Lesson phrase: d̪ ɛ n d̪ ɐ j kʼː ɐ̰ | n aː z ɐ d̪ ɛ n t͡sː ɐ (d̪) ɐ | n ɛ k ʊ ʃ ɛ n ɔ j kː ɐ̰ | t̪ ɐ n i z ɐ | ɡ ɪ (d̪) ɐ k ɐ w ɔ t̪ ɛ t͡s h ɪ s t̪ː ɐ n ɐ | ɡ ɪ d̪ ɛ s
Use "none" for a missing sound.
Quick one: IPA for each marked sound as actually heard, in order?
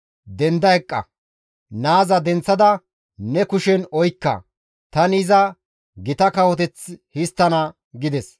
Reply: d̪, t̪

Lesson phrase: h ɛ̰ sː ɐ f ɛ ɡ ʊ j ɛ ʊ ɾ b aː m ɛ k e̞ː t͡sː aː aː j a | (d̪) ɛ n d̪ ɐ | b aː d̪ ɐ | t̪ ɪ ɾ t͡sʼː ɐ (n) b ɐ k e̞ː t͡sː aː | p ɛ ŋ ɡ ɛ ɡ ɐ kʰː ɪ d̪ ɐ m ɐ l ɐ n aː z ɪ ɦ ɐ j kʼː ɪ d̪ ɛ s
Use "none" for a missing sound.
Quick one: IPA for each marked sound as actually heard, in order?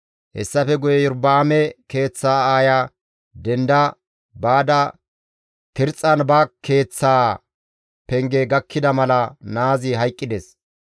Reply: d̪, n

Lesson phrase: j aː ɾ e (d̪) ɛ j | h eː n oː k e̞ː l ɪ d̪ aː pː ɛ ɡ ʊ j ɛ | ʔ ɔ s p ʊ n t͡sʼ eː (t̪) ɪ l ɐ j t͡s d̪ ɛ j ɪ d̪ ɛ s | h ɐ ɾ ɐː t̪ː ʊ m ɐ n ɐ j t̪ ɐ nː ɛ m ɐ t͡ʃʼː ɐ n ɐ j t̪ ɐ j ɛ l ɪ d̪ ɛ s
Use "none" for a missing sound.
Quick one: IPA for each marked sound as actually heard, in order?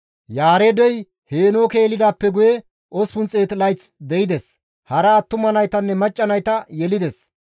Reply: d̪, t̪

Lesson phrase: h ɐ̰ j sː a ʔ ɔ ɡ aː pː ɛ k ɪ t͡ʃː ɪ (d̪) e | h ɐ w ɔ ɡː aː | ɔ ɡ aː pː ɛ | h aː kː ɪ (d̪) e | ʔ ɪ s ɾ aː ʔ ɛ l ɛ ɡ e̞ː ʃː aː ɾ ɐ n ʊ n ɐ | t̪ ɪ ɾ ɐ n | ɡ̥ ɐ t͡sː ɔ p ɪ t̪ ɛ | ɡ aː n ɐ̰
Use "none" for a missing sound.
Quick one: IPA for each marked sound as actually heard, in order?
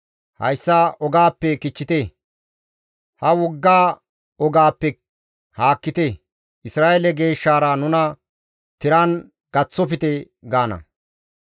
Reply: t̪, t̪

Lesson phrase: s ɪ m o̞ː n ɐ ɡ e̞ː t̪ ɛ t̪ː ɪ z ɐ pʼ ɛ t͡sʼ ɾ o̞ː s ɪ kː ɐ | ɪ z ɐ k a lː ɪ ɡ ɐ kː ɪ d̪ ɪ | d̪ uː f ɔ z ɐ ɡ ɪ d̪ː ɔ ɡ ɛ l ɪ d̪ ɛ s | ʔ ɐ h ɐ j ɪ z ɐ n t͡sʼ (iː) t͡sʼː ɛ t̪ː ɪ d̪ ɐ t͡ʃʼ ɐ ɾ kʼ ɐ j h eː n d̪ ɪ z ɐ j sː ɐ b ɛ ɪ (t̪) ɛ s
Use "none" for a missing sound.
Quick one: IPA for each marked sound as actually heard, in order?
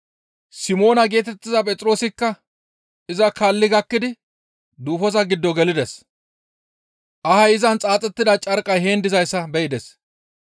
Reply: aː, d̪

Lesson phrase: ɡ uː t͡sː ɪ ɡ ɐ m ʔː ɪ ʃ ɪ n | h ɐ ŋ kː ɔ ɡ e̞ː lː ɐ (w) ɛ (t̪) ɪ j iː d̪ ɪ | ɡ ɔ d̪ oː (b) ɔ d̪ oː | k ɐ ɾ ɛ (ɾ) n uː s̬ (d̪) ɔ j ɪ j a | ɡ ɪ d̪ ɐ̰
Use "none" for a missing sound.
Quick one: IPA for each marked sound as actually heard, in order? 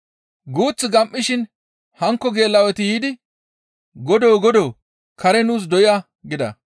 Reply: w, t̪, ɡ, none, d̪

